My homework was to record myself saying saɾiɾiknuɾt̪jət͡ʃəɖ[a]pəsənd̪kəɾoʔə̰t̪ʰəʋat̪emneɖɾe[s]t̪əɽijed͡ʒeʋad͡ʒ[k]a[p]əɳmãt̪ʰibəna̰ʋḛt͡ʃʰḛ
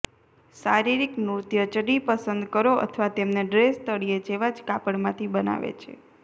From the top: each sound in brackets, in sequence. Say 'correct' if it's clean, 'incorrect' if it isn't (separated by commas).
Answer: incorrect, correct, correct, correct